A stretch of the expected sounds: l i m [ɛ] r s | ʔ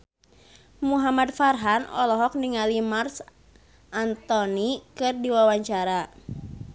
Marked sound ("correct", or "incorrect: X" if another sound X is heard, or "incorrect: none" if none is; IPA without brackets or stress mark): incorrect: a